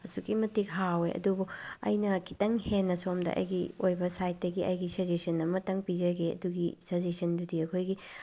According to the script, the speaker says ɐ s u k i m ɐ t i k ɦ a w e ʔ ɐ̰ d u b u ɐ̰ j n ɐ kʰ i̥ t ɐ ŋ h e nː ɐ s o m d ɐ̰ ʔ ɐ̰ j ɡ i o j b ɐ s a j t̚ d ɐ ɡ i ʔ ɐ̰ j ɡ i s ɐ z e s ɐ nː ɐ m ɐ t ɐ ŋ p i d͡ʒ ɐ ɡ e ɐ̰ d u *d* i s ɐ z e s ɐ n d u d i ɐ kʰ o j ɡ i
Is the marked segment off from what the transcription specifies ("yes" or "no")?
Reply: yes